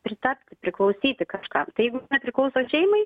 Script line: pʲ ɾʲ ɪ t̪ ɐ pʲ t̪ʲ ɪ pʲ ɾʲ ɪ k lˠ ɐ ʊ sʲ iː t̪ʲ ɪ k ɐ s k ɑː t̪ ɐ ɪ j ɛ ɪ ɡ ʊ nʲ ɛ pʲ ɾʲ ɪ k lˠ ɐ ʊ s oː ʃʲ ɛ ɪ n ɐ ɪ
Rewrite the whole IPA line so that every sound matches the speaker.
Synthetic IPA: pʲ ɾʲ ɪ t̪ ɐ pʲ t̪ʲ ɪ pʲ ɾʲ ɪ k lˠ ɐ ʊ sʲ iː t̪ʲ ɪ k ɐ ʃ k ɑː t̪ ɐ ɪ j ɛ ɪ ɡ ʊ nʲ ɛ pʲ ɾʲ ɪ k lˠ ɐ ʊ s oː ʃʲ ɛ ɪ m ɐ ɪ